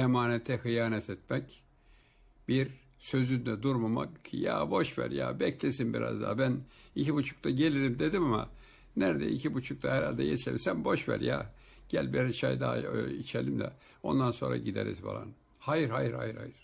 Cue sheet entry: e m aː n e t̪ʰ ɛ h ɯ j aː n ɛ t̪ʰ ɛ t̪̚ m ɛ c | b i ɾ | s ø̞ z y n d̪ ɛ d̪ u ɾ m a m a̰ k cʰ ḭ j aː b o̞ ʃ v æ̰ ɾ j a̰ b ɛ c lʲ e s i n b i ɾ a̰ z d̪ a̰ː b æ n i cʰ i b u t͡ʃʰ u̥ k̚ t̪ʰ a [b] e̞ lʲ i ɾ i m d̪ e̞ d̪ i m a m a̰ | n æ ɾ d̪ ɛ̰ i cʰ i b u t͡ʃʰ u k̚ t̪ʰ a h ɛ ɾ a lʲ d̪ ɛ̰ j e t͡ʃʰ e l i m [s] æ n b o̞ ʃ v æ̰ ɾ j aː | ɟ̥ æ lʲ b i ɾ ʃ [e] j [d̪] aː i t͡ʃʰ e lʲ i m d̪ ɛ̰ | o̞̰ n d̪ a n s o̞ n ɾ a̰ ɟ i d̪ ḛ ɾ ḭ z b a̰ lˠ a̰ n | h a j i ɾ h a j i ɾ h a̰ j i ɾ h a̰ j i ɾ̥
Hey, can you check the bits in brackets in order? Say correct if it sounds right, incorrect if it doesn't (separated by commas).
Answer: incorrect, correct, incorrect, correct